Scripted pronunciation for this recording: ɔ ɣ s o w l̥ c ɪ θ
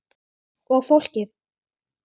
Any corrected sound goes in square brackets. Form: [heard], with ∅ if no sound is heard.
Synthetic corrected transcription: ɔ ɣ [f] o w l̥ c ɪ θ

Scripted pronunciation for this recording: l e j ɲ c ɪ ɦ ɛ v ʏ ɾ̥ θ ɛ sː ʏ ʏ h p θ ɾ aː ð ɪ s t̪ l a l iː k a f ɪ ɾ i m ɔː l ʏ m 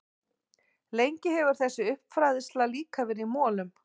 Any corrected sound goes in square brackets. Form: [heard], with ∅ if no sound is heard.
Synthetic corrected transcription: l e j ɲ c ɪ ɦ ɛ v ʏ ɾ̥ θ ɛ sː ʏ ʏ h p [f] ɾ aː ð ɪ s t̪ l a l iː k a [v] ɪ ɾ i m ɔː l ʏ m

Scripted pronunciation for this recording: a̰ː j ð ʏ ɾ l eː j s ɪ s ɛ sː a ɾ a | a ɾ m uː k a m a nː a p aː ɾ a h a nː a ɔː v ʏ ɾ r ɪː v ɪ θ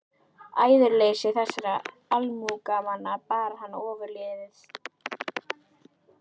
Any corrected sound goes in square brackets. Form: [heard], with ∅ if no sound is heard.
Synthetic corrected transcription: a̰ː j ð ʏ ɾ l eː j s ɪ [θ] ɛ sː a ɾ a | a [l] m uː k a m a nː a p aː ɾ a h a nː a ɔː v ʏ ɾ [l] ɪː [ð] ɪ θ

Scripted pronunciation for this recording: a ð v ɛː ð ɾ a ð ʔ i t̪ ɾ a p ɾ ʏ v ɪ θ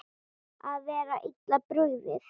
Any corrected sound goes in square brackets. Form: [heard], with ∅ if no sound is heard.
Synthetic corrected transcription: a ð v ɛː [∅] ɾ a [∅] ʔ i t̪ [l] a p ɾ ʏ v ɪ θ

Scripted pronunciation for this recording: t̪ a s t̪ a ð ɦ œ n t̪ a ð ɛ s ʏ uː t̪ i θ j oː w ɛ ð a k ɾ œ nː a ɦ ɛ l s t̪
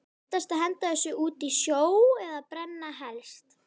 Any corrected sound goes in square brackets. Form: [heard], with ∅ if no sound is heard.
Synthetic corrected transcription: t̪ a s t̪ a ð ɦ [ɛ] n t̪ a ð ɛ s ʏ uː t̪ i [s] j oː w ɛ ð a [p] ɾ [ɛ] nː a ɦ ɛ l s t̪

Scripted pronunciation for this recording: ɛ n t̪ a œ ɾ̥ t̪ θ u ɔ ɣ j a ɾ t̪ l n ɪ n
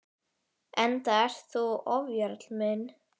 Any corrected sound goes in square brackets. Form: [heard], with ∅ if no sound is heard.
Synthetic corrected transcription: ɛ n t̪ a [ɛ] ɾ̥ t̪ θ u ɔ [v] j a ɾ t̪ l [m] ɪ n

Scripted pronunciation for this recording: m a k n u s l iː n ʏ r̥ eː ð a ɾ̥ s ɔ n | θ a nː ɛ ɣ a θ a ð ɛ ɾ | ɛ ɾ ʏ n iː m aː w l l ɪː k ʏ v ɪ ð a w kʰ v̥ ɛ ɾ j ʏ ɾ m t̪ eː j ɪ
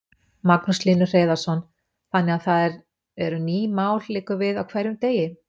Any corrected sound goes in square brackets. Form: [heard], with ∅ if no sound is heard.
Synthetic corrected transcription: m a k n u s l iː n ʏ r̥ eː ð a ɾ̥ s ɔ n | θ a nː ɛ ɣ a θ a ð ɛ ɾ | ɛ ɾ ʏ n iː m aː w l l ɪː k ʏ v ɪ ð a w kʰ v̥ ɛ ɾ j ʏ [∅] m t̪ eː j ɪ

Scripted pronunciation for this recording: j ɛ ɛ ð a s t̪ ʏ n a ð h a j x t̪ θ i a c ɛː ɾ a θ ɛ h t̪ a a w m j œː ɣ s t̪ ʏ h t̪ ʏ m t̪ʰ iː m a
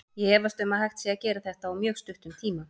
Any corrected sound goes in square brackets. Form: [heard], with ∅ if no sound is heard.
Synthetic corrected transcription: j ɛ ɛ [v] a s t̪ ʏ [m] a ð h a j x t̪ [s] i a c ɛː ɾ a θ ɛ h t̪ a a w m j œː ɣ s t̪ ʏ h t̪ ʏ m t̪ʰ iː m a

